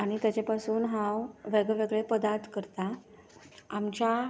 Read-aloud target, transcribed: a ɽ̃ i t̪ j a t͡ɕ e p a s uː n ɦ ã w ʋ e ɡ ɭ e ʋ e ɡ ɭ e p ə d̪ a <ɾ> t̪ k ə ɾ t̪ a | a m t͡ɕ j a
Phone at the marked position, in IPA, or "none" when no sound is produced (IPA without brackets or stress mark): ɾ